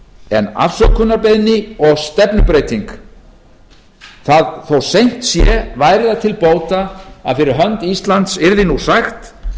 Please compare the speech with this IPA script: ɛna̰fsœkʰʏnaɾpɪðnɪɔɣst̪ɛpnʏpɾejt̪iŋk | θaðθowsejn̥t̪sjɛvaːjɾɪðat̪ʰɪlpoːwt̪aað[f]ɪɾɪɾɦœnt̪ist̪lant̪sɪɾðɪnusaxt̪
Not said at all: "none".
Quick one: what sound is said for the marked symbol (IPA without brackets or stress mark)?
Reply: f